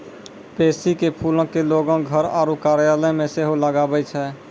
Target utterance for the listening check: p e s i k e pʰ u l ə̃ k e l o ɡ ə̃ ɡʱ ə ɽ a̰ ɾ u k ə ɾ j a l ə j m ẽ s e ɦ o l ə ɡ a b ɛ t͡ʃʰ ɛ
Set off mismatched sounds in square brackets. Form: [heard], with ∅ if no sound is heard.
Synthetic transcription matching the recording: p e s i k e pʰ u l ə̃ k e l o ɡ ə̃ ɡʱ ə [ɾ] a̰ ɾ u k [a] ɾ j a l ə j m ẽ s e ɦ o l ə ɡ a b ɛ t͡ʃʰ ɛ